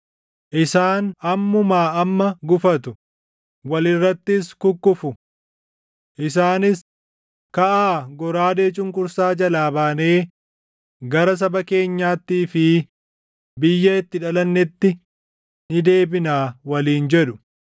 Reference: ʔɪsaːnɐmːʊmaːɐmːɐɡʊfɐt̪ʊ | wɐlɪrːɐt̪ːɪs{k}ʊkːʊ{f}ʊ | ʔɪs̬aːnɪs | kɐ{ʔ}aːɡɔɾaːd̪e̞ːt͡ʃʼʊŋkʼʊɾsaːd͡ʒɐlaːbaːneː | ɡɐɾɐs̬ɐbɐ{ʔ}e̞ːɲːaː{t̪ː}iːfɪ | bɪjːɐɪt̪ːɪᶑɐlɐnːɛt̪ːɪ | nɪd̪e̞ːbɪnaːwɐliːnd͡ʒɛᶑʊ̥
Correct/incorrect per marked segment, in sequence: correct, correct, correct, incorrect: k, correct

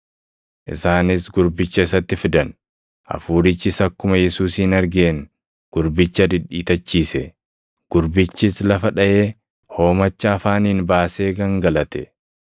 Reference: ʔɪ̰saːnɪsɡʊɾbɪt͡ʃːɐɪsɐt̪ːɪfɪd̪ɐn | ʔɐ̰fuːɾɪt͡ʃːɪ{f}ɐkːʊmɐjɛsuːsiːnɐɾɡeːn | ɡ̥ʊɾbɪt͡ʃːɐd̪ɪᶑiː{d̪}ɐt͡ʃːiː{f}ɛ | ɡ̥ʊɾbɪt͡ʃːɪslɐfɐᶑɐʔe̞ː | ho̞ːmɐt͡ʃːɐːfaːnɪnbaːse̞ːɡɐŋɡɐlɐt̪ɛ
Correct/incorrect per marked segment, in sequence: incorrect: s, incorrect: t̪, incorrect: s

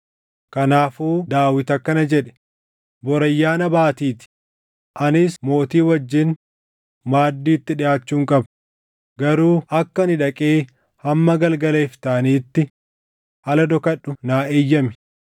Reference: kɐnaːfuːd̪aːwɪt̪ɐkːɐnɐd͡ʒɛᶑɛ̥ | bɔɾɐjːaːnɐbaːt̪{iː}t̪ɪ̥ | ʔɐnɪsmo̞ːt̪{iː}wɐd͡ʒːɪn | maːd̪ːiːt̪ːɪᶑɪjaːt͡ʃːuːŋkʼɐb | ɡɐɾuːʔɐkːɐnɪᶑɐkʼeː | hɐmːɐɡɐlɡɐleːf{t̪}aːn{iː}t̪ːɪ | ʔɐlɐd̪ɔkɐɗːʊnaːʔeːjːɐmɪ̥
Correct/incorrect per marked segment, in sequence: correct, correct, correct, correct

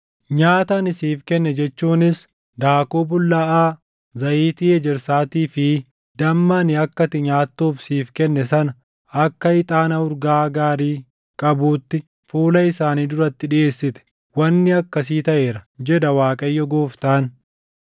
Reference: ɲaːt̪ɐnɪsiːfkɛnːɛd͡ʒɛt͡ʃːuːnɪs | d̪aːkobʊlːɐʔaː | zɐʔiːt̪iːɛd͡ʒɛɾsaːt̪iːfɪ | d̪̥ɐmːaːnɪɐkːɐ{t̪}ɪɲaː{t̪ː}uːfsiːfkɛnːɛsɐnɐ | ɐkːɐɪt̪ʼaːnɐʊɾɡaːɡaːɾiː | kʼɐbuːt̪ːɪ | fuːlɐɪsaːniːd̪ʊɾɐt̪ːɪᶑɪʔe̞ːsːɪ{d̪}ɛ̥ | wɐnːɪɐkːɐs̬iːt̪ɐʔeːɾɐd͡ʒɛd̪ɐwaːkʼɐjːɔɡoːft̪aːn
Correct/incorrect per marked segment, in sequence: correct, correct, incorrect: t̪

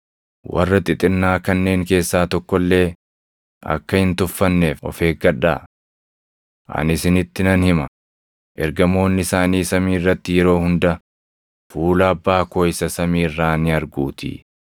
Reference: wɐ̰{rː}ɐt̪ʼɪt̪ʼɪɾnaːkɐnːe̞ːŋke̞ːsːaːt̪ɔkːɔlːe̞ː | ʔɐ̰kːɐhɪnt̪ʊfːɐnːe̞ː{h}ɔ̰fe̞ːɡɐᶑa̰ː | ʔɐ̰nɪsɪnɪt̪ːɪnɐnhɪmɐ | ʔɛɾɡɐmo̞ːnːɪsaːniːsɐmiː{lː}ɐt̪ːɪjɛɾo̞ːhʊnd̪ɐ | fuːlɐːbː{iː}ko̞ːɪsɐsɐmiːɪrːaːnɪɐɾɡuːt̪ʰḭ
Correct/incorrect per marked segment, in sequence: correct, incorrect: f, incorrect: rː, incorrect: aː

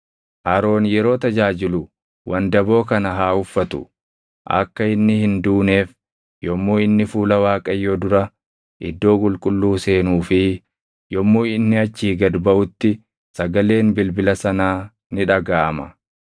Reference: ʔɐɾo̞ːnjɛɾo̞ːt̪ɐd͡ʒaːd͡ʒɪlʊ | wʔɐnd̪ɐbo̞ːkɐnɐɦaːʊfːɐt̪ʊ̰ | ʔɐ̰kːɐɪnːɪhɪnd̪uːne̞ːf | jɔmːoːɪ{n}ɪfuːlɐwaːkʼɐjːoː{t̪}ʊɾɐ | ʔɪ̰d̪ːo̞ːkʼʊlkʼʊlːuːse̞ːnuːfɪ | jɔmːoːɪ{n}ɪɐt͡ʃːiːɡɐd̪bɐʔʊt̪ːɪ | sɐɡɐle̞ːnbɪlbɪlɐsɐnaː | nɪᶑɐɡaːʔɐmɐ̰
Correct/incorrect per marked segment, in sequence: incorrect: nː, incorrect: d̪, incorrect: nː

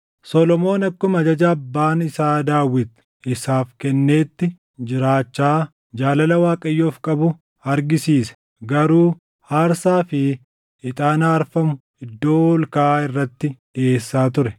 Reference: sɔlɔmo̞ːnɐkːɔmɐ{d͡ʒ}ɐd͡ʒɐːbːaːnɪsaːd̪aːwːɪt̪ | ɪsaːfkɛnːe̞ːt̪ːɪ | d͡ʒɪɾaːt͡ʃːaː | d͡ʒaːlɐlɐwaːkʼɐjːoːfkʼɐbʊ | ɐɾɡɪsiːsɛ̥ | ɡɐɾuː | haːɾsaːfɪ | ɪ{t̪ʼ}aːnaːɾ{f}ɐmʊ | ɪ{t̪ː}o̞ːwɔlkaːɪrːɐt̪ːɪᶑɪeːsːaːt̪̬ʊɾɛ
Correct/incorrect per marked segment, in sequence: correct, correct, correct, incorrect: d̪ː

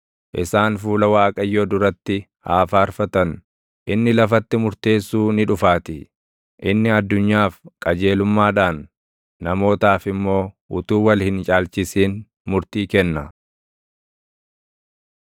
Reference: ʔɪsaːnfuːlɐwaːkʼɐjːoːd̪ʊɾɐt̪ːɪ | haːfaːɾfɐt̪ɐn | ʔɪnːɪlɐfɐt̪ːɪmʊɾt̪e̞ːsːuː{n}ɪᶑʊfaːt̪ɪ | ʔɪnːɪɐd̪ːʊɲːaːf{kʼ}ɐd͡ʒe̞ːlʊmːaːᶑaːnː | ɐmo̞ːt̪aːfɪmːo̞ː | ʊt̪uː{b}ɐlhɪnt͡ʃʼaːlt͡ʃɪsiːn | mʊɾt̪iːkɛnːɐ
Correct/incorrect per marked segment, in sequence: correct, correct, incorrect: w

